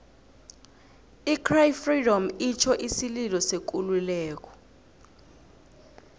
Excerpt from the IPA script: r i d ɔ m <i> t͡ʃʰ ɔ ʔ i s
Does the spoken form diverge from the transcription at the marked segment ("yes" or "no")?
no